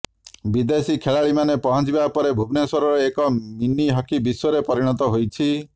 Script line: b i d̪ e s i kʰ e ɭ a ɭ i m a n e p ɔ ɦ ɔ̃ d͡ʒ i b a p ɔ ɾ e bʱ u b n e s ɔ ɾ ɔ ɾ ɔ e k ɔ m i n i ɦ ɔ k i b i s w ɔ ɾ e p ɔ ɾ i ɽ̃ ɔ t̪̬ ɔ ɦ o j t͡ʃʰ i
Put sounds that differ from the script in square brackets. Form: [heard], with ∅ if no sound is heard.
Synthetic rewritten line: b i d̪ e s i kʰ e ɭ a ɭ i m a n e p ɔ ɦ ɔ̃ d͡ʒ i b a p ɔ ɾ e bʱ u b n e s ɔ ɾ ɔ ɾ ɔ e k ɔ m i n i ɦ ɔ k i b i s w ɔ ɾ e p ɔ ɾ i ɽ̃ ɔ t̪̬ ɔ ɦ o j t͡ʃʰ i